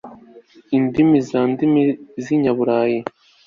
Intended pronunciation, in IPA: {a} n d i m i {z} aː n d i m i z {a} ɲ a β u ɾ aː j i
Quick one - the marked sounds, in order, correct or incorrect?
incorrect, correct, incorrect

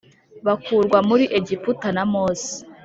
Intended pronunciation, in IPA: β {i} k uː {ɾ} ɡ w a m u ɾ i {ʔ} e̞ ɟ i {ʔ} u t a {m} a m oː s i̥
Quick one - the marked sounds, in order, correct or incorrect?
incorrect, correct, correct, incorrect, incorrect

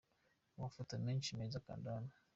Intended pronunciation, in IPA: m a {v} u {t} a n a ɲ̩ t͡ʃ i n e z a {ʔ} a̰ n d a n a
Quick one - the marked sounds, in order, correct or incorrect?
incorrect, correct, incorrect

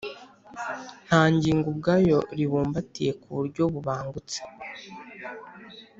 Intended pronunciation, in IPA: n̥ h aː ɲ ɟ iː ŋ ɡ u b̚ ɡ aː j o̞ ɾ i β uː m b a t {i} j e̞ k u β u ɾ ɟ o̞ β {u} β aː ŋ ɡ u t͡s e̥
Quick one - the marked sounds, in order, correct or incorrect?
correct, correct

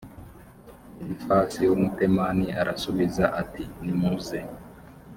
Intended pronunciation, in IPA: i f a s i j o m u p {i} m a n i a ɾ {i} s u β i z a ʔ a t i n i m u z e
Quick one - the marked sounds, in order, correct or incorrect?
incorrect, incorrect

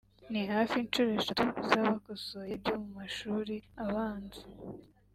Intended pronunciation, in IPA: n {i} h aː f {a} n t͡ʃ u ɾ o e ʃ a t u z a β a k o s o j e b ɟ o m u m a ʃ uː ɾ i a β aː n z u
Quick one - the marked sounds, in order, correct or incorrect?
correct, incorrect

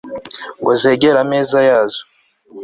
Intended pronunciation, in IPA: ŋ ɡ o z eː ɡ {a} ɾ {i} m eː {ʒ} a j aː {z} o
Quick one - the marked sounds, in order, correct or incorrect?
incorrect, incorrect, incorrect, correct

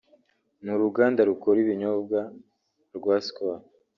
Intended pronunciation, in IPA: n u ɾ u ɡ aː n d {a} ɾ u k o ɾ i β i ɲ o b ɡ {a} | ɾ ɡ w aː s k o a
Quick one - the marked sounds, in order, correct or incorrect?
correct, correct

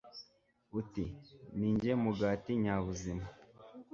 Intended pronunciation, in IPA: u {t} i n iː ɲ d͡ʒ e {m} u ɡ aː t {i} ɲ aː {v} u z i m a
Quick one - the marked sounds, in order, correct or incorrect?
correct, correct, correct, incorrect

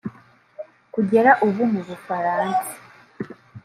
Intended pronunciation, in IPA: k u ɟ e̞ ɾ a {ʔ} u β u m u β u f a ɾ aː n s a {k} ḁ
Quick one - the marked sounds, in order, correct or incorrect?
correct, incorrect

